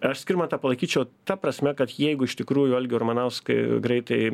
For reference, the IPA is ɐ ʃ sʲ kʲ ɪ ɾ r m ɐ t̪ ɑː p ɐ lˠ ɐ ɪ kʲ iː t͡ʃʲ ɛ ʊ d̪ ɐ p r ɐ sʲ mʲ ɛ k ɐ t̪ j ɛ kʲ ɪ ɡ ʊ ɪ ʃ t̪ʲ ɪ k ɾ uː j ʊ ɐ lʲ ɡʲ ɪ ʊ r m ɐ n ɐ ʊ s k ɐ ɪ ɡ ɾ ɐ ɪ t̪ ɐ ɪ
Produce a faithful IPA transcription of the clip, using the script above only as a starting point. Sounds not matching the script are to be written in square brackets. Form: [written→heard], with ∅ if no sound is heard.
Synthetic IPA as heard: ɐ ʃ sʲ kʲ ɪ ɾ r m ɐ t̪ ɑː p ɐ lˠ ɐ ɪ kʲ iː t͡ʃʲ ɛ ʊ [d̪→t̪] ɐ p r ɐ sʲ mʲ ɛ k ɐ t̪ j ɛ [kʲ→∅] ɪ ɡ ʊ ɪ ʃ t̪ʲ ɪ k ɾ uː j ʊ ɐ lʲ ɡʲ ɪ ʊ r m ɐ n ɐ ʊ s k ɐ ɪ ɡ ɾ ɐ ɪ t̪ ɐ ɪ